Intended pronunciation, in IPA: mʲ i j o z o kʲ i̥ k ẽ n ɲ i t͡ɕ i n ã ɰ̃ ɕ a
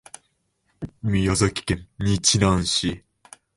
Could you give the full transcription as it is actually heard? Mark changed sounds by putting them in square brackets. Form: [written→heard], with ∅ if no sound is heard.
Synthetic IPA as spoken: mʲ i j o z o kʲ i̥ k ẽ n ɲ i t͡ɕ i n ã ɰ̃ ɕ [a→i]